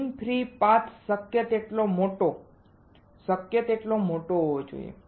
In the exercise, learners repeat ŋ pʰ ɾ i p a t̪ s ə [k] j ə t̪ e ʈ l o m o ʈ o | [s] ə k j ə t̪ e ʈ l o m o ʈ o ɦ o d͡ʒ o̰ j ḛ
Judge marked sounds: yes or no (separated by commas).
yes, yes